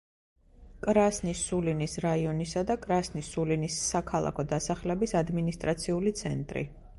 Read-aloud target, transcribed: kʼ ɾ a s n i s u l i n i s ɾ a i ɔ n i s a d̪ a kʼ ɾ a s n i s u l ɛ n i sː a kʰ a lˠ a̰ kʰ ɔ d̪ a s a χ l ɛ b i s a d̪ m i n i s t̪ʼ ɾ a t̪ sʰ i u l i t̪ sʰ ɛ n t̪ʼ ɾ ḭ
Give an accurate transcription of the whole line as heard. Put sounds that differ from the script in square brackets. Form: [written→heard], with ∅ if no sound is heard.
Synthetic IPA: kʼ ɾ a s n i s u l i n i s ɾ a i ɔ n i s a d̪ a kʼ ɾ a s n i s u l [ɛ→i] n i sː a kʰ a lˠ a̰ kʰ ɔ d̪ a s a χ l ɛ b i s a d̪ m i n i s t̪ʼ ɾ a t̪ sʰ i u l i t̪ sʰ ɛ n t̪ʼ ɾ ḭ